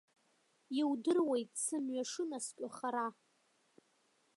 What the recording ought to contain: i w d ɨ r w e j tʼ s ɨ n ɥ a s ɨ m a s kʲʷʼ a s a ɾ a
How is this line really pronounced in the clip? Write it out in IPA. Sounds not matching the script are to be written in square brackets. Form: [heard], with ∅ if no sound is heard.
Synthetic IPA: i w d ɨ r w e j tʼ s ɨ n ɥ a [ʂ] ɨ [n] a s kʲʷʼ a [χ] a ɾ a